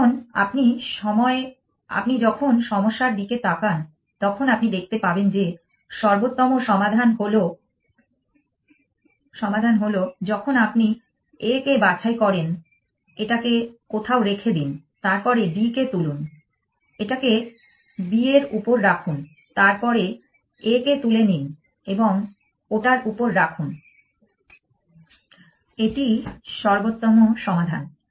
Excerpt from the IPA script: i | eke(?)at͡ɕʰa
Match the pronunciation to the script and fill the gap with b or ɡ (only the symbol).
b